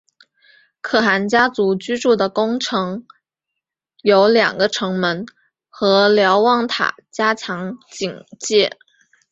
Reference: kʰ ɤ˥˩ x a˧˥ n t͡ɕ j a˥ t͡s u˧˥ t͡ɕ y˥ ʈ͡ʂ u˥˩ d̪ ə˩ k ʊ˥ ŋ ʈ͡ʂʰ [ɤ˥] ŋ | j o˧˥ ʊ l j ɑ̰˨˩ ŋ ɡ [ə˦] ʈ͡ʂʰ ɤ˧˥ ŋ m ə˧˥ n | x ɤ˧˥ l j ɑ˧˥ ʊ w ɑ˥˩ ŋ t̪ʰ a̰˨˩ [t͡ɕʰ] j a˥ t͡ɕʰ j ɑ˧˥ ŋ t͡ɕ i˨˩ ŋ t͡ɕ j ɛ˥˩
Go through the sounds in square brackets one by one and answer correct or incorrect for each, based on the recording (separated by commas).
incorrect, correct, incorrect